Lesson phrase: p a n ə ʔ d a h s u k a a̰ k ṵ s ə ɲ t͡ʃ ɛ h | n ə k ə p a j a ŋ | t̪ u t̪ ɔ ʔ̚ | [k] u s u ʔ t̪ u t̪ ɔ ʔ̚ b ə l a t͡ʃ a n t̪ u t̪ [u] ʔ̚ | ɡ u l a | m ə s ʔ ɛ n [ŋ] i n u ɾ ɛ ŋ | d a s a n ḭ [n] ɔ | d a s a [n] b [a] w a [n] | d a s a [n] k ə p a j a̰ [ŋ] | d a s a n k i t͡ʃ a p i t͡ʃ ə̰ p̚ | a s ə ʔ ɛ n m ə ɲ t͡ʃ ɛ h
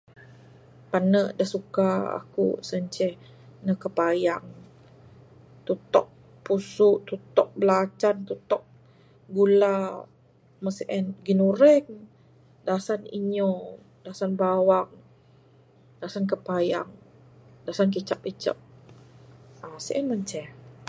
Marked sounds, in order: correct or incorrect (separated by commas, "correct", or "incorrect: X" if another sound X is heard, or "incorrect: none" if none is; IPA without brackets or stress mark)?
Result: incorrect: p, incorrect: ɔ, incorrect: ɡ, incorrect: ɲ, correct, correct, incorrect: ŋ, correct, correct